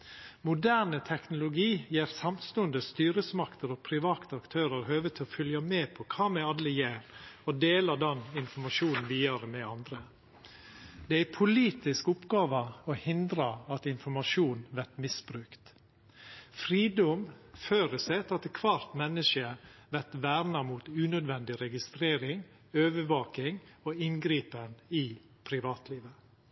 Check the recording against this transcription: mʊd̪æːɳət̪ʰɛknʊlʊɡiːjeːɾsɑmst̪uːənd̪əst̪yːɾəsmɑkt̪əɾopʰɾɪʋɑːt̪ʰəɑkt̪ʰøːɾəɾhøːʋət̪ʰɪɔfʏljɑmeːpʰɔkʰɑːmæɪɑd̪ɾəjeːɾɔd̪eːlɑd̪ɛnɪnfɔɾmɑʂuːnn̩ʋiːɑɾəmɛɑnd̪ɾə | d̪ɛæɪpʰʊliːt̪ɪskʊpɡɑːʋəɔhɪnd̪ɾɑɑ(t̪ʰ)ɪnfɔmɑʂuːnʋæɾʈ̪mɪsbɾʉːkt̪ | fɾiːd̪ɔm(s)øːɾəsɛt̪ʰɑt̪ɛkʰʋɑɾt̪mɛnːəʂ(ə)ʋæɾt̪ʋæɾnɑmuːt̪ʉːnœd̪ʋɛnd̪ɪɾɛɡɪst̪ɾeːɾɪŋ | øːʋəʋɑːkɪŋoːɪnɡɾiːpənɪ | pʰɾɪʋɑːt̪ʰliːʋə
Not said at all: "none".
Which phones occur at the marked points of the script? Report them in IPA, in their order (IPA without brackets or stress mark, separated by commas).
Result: t̪, f, ə